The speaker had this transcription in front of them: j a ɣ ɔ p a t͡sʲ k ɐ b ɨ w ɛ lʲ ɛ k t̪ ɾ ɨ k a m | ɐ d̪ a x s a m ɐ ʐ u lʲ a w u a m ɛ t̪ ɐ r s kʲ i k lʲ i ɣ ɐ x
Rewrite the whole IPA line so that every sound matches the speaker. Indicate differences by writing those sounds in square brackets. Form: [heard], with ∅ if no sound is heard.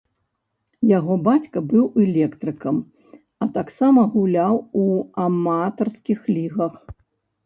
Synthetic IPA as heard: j a ɣ ɔ [b] a t͡sʲ k ɐ b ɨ w ɛ lʲ ɛ k t̪ ɾ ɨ k [ɐ] m | ɐ [t̪] a [k] s a m ɐ [ɣ] u lʲ a w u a m [a] t̪ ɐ r s kʲ i [x] lʲ i ɣ ɐ x